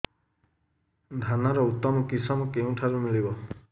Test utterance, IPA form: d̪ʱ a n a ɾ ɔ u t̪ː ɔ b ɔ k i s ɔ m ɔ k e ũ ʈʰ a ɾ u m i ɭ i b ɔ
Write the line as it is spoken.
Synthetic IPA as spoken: d̪ʱ a n a ɾ ɔ u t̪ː ɔ m ɔ k i s ɔ m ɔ k e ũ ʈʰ a ɾ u m i ɭ i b ɔ